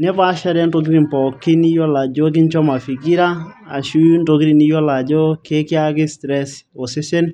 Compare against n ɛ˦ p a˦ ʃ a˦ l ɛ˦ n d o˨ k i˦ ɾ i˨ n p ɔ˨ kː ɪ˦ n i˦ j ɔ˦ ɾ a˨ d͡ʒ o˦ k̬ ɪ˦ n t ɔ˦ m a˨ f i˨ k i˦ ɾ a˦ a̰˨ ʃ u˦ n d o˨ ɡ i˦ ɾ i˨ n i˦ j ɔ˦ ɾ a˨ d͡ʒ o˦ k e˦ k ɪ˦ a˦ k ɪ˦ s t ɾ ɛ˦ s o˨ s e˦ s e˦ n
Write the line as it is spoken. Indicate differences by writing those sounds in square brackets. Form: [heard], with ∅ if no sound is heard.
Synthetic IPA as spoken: n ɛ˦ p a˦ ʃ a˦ [ɾ] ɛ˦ n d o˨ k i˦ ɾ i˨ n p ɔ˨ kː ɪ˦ n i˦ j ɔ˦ [l] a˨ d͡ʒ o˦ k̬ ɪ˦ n [t͡ʃ] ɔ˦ m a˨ f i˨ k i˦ ɾ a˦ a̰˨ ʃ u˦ n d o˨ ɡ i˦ ɾ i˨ n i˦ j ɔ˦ [l] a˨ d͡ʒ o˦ k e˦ k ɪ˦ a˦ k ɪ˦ s t ɾ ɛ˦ s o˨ s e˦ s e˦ n